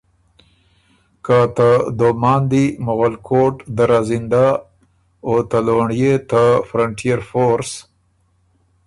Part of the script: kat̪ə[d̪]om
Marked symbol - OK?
yes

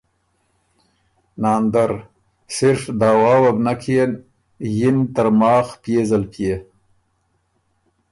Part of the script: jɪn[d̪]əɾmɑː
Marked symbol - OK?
no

